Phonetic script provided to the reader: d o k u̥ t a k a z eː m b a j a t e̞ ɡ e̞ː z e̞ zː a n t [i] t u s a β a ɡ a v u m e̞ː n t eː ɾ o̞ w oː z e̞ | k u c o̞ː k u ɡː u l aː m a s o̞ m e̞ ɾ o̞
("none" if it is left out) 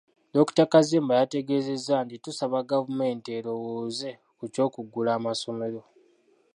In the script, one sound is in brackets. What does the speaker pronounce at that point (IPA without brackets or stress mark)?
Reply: i